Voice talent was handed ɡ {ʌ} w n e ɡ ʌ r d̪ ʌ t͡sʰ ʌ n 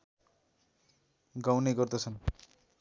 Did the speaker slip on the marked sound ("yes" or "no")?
yes